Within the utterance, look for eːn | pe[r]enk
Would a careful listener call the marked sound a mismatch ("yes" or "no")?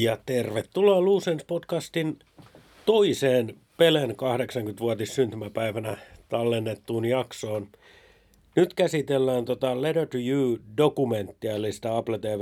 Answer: yes